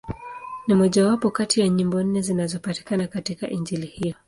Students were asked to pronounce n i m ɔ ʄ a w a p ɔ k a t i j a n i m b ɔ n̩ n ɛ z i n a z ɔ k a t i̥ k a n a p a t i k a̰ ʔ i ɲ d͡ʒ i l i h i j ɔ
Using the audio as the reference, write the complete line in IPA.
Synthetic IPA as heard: n i m ɔ ʄ a w a p ɔ k a t i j a ɲ i m b ɔ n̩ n ɛ z i n a z ɔ p a t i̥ k a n a k a t i k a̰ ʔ i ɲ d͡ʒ i l i h i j ɔ